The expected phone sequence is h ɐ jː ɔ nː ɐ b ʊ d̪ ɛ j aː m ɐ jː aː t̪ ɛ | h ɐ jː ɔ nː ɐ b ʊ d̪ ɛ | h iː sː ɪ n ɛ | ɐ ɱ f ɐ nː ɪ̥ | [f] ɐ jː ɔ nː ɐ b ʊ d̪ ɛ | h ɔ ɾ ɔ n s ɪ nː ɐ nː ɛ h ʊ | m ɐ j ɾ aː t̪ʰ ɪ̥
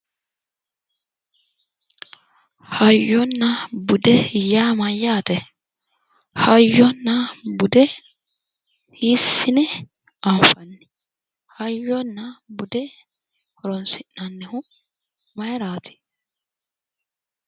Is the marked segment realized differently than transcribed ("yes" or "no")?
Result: yes